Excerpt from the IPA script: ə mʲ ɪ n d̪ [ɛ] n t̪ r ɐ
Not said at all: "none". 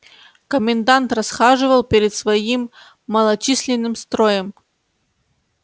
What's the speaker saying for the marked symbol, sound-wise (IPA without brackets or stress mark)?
a